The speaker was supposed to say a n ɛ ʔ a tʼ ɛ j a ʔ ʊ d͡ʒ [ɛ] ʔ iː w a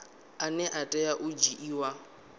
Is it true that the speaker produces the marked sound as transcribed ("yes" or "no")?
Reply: no